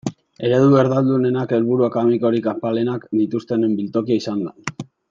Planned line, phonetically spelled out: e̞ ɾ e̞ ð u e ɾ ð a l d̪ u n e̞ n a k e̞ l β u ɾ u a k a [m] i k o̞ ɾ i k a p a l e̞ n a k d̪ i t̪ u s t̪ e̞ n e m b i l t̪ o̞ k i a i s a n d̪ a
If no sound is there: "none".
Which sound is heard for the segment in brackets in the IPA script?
m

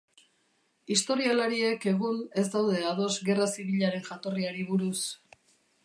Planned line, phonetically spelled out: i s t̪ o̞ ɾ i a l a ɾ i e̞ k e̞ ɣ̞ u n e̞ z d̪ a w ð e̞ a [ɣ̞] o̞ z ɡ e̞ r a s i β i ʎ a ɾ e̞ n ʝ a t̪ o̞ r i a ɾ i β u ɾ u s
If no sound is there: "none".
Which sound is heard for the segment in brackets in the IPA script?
ð̞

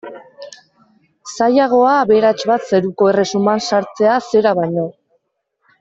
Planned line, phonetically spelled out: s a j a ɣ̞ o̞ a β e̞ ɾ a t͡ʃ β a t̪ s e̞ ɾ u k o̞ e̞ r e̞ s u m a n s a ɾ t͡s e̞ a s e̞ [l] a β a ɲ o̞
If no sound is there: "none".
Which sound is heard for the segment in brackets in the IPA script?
ɾ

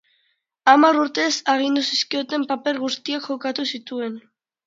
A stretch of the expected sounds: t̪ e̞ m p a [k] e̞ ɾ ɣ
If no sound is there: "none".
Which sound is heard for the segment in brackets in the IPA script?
p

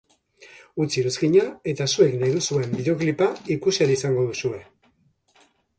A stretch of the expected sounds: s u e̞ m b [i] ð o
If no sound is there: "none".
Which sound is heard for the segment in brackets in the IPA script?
i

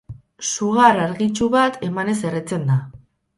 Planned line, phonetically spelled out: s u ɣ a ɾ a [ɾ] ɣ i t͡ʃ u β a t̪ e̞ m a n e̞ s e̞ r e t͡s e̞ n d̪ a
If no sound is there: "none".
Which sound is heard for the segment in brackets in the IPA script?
ɾ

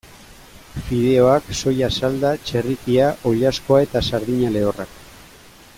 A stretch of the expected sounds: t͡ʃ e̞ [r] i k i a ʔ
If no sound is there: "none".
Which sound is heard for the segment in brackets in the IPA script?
r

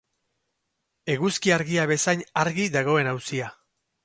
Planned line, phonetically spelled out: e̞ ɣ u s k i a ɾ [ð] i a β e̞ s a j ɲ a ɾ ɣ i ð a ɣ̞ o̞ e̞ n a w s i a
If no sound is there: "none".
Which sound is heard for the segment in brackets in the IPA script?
ɣ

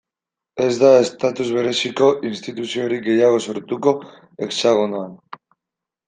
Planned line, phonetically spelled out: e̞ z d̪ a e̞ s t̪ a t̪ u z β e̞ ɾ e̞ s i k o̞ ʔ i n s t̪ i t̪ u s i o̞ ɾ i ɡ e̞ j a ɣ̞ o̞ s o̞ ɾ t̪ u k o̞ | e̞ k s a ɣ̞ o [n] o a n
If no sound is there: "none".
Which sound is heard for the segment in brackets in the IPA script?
n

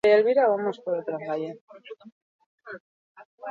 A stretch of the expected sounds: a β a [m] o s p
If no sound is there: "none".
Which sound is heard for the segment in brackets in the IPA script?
m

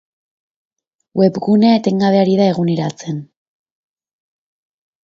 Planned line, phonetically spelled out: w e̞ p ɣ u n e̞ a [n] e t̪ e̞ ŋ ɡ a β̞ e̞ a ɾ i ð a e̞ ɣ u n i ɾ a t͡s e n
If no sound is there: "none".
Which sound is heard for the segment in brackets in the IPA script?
none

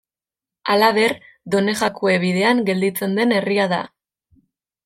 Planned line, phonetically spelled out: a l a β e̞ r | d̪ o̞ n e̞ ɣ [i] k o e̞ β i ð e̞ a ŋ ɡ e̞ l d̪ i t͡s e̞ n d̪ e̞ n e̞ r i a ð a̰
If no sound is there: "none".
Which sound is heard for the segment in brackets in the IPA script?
a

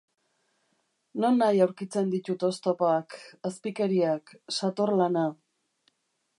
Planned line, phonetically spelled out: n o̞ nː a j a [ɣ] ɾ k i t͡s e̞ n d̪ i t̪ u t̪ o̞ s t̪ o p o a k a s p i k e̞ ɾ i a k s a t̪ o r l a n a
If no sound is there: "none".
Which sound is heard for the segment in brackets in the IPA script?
w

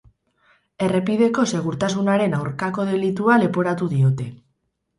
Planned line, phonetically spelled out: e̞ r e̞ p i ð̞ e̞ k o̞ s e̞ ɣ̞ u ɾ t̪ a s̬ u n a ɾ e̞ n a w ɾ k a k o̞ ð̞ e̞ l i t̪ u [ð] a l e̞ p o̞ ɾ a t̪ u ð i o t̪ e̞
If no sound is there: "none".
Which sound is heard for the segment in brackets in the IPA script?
none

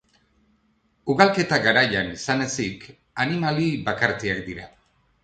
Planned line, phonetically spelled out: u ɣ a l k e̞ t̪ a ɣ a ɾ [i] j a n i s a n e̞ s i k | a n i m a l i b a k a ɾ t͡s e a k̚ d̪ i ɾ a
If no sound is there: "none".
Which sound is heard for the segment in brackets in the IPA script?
a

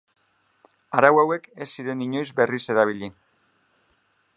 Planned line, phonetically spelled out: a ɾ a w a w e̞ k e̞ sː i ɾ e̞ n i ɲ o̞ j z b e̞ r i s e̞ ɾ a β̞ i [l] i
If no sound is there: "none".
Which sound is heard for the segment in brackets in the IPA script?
ʎ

